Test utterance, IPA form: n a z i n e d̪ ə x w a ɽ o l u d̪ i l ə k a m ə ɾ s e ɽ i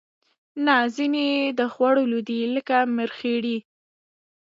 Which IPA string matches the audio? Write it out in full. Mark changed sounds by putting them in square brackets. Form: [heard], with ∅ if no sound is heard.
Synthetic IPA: n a z i n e d̪ ə x w a ɽ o l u d̪ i l ə k a m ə ɾ [x] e ɽ i